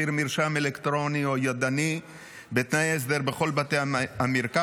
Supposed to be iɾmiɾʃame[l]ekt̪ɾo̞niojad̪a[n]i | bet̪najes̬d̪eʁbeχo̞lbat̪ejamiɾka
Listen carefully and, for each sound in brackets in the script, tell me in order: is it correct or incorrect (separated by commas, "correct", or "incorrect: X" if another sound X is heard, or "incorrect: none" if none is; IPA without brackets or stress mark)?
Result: correct, correct